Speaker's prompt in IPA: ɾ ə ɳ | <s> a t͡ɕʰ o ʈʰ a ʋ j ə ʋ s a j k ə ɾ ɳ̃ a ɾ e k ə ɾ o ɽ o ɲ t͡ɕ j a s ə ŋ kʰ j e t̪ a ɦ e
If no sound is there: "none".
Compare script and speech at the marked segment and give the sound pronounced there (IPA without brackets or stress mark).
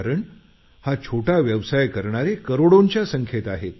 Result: h